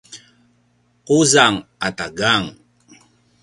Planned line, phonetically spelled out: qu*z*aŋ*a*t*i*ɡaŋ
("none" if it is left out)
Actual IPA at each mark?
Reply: z, a, a

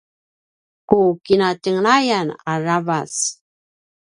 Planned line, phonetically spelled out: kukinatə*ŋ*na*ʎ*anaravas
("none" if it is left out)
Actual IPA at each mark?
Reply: ŋ, j

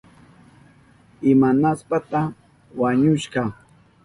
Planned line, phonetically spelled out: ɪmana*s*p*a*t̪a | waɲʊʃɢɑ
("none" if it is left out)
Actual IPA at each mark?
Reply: s, a

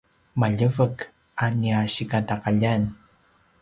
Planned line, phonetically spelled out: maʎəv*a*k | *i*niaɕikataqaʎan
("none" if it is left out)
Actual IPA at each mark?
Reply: ə, a

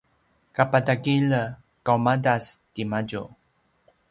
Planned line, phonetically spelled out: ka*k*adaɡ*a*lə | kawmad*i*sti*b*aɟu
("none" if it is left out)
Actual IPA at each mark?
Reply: p, i, a, m

